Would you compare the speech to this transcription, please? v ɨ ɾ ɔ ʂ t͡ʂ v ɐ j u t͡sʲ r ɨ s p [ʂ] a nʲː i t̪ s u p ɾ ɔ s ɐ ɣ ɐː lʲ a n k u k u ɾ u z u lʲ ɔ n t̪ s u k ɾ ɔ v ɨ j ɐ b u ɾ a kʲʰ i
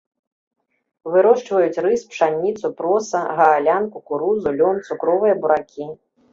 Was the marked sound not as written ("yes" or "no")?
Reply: no